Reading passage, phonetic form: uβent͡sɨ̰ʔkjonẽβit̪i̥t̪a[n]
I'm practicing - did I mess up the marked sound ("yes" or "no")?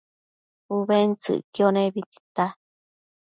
yes